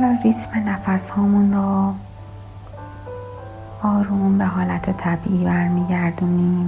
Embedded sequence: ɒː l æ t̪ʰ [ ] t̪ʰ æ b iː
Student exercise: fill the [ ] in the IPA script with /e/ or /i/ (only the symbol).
e